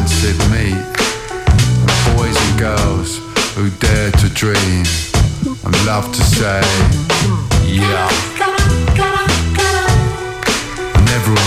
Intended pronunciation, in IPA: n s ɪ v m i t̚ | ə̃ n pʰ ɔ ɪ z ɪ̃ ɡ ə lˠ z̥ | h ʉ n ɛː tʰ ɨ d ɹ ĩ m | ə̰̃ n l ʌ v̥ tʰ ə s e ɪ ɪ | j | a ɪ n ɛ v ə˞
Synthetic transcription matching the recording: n s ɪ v m i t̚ | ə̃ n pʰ ɔ ɪ z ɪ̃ ɡ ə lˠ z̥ | h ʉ d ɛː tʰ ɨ d ɹ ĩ m | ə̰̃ n l ʌ v̥ tʰ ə s e ɪ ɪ | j | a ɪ n ɛ v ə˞